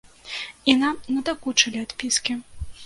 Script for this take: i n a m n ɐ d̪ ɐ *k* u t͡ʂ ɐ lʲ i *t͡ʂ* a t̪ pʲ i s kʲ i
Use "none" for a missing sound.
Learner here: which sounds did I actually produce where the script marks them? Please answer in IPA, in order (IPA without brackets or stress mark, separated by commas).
k, none